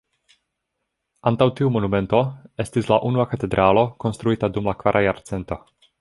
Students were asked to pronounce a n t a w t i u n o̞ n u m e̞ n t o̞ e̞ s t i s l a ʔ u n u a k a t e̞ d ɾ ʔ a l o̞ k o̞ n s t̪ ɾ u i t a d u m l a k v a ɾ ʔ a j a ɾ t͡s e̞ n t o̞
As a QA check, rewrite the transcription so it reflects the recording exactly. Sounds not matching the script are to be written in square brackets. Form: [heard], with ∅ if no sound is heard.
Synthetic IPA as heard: a n t a w t i u [m] o̞ n u m e̞ n t o̞ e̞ s t i s l a ʔ u n u a k a t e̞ d ɾ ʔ a l o̞ k o̞ n s t̪ ɾ u i t a d u m l a k v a ɾ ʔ a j a ɾ t͡s e̞ n t o̞